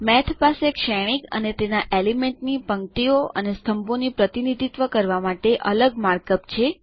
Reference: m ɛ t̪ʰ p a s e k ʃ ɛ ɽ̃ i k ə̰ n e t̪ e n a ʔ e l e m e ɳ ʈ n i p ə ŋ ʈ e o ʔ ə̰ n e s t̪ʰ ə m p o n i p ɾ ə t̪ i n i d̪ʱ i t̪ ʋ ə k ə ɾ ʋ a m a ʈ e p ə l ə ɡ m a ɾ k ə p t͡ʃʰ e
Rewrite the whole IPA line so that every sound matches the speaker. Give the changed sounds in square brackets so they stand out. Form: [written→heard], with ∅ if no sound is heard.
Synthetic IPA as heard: m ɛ t̪ʰ p a s e k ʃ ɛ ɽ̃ i k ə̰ n e t̪ e n a ʔ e l [e→i] m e ɳ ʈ n i p ə ŋ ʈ [e→i] o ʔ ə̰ n e s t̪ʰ ə m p o n i p ɾ ə t̪ i n i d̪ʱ i t̪ ʋ ə k ə ɾ ʋ a m a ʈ e [p→ʔ] ə l ə ɡ m a ɾ k ə p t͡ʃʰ e